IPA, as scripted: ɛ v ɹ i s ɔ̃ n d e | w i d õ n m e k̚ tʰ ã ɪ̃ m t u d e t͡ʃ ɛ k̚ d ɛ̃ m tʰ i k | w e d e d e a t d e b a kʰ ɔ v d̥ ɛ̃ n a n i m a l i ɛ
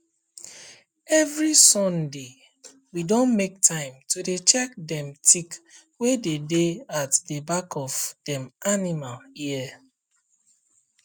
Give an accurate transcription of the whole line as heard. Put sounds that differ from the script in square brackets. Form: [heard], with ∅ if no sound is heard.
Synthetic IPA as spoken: ɛ v ɹ i s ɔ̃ n d e | w i d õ n m e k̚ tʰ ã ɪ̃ m t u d e t͡ʃ ɛ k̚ d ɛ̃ m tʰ i k | w e d e d e a t d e b a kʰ ɔ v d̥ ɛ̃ [m] a n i m a l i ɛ